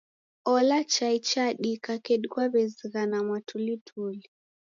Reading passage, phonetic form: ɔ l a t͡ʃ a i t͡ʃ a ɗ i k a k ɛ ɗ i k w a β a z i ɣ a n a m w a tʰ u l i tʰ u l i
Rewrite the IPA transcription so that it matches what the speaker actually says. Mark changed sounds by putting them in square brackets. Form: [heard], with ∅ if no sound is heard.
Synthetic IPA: ɔ l a t͡ʃ a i t͡ʃ a ɗ i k a k ɛ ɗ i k w a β [ɛ] z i ɣ a n a m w a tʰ u l i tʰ u l i